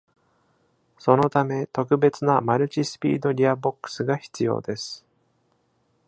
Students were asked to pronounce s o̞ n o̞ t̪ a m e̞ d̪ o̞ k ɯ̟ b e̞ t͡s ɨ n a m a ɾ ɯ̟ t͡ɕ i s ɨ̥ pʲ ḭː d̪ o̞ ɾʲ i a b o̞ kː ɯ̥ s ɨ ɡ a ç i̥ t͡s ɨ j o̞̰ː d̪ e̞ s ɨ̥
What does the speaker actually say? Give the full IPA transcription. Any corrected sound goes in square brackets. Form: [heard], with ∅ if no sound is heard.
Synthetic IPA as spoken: s o̞ n o̞ t̪ a m e̞ [t̪] o̞ k ɯ̟ b e̞ t͡s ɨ n a m a ɾ ɯ̟ t͡ɕ i s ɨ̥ pʲ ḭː d̪ o̞ ɾʲ i a b o̞ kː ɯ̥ s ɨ ɡ a ç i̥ t͡s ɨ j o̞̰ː d̪ e̞ s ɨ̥